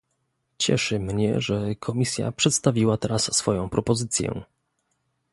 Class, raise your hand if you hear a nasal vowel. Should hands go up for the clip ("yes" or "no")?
yes